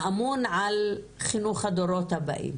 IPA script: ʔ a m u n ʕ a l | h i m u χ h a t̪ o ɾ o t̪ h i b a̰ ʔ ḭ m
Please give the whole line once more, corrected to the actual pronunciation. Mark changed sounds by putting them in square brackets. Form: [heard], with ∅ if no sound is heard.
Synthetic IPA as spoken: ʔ a m u n ʕ a l | [χ] i [n] u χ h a [d̪] o ɾ o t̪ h [a] b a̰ ʔ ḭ m

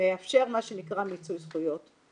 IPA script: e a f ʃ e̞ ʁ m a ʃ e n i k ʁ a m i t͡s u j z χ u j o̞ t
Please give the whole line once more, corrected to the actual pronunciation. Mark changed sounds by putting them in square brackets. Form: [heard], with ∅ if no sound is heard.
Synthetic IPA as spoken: e a f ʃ e̞ ʁ m a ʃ e n i k ʁ a m i t͡s u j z χ u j o̞ t

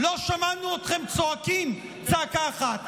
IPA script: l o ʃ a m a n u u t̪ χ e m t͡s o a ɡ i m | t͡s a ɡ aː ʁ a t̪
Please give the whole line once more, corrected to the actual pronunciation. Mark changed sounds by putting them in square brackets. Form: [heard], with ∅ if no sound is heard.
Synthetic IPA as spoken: l o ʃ a m a n u [o] t̪ χ e m t͡s o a [k] i m | t͡s a [k] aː [χ] a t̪

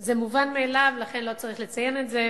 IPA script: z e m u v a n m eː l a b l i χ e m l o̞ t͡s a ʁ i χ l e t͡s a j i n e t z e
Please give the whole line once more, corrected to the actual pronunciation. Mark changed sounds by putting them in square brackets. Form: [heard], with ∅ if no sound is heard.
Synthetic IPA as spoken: z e m u v a n m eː l a [v] l [a] χ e [n] l o̞ t͡s a ʁ i χ l e t͡s a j [e] n e t z e

